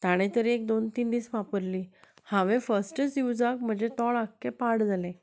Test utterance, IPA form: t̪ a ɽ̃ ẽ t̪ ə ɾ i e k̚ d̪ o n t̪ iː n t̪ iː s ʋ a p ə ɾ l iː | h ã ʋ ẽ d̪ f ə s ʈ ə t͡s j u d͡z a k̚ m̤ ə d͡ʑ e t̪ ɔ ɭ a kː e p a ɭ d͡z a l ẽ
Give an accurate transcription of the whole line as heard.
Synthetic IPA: t̪ a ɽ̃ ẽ t̪ ə ɾ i e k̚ d̪ o n t̪ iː n d̪ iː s ʋ a p ə ɾ l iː | h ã ʋ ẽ f ə s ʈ ə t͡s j u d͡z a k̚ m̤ ə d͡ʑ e t̪ ɔ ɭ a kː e p a ɽ d͡z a l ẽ